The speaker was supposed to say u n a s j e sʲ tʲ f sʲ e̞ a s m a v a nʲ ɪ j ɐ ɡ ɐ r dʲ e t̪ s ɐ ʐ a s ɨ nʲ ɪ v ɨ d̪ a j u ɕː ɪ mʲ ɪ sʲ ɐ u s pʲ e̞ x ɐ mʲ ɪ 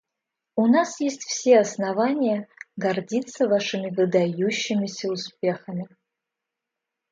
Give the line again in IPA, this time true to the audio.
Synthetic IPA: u n a s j e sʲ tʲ f sʲ e̞ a s n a v a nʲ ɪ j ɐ ɡ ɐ r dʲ i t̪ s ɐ v a ʂ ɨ mʲ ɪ v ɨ d̪ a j u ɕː ɪ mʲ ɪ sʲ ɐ u s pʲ e̞ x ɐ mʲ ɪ